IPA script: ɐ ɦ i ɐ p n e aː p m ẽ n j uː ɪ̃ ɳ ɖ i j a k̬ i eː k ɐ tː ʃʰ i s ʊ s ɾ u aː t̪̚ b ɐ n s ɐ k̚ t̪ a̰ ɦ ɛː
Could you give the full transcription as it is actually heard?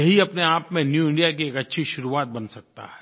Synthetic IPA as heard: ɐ ɦ i ɐ p n e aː p m ẽ n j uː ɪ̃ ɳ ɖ i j a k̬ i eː k ɐ tː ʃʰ i ʃ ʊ ɾ u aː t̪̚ b ɐ n s ɐ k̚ t̪ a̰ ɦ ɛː